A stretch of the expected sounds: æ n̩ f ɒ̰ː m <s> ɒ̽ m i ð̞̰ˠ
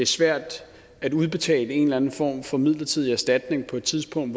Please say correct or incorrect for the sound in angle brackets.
incorrect